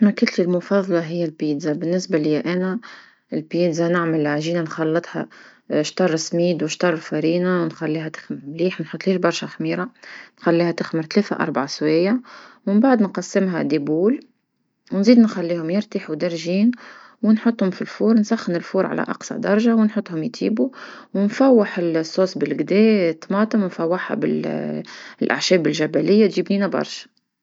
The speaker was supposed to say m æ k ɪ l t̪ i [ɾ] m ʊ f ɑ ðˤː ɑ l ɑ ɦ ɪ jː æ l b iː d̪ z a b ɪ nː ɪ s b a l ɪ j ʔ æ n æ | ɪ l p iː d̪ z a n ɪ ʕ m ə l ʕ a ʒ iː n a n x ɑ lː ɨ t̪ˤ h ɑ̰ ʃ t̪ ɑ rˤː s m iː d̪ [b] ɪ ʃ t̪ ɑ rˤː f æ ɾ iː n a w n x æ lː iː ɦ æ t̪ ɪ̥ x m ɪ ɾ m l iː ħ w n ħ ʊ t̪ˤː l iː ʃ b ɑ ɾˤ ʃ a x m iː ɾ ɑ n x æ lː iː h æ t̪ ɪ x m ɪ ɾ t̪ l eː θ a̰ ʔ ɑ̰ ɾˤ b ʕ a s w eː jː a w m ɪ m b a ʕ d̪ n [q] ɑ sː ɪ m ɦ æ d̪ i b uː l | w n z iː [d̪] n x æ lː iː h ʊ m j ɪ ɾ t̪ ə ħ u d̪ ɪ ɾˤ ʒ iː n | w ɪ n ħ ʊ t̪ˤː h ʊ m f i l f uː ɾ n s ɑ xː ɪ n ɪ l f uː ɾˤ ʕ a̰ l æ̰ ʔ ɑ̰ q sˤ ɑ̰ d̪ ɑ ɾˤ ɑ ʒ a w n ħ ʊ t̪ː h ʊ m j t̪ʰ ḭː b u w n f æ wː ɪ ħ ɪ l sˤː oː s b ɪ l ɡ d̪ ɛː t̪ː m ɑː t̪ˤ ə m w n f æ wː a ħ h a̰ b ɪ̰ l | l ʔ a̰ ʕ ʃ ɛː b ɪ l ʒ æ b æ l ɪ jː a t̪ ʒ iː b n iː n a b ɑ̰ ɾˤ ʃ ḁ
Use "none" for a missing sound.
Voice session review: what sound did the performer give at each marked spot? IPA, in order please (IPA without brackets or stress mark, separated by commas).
l, w, q, d̪